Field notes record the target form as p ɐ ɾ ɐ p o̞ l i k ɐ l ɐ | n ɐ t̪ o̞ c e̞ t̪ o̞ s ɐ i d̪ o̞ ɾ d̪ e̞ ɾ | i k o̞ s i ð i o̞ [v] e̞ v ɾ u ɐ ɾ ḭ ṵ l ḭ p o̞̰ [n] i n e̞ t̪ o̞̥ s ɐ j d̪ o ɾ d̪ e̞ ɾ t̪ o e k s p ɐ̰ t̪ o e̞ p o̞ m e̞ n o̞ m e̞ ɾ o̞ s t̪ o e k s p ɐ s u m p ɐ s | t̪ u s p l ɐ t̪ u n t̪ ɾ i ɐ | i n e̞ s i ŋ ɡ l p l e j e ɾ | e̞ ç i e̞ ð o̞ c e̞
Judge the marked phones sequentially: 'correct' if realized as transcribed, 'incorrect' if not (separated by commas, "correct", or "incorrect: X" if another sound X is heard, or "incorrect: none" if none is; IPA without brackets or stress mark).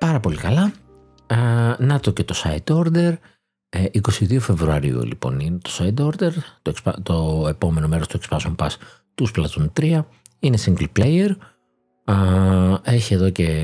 incorrect: f, correct